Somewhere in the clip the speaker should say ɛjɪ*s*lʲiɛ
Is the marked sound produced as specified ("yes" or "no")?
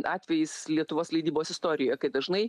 yes